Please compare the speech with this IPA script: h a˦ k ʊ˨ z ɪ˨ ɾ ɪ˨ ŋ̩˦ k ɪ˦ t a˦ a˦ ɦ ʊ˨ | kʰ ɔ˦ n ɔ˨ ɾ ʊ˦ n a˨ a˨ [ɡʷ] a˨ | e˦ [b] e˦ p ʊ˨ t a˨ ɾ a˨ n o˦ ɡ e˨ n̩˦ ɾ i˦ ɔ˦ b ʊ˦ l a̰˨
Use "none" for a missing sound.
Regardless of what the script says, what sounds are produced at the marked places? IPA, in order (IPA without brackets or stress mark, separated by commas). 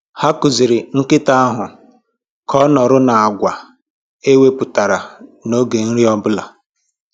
ɡʷ, w